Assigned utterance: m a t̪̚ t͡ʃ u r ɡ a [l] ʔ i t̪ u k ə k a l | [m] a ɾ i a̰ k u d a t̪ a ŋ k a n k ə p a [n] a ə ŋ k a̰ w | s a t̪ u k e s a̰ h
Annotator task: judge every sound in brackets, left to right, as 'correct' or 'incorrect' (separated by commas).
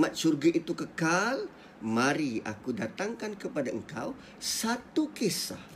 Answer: incorrect, correct, incorrect